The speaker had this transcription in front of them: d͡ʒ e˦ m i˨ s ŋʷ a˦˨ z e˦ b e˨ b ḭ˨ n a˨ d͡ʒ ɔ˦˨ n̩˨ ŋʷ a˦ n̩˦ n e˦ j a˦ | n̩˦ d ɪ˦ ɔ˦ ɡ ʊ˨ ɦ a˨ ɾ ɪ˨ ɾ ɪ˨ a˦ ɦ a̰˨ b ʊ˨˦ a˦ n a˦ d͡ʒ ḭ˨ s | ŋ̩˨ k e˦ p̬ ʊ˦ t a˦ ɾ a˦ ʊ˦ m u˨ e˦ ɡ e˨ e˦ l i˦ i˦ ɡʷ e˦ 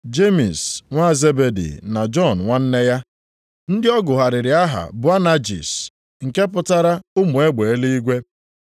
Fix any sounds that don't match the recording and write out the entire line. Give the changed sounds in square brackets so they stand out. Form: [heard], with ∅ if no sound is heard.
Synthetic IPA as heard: d͡ʒ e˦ m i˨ s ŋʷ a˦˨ z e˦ b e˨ [d] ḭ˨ n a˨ d͡ʒ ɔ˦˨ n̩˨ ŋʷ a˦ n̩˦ n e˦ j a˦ | n̩˦ d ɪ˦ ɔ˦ ɡ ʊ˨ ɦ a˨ ɾ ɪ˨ ɾ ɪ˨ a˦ ɦ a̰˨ b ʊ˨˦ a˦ n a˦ d͡ʒ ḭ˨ s | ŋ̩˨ k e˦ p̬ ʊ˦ t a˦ ɾ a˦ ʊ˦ m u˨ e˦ [ɡ͡b] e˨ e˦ l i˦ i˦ ɡʷ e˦